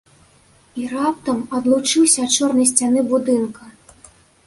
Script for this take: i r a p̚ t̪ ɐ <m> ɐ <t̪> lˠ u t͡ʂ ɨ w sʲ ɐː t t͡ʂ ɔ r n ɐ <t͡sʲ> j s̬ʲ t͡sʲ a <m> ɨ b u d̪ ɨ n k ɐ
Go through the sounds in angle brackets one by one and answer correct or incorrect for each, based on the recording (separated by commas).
correct, incorrect, incorrect, incorrect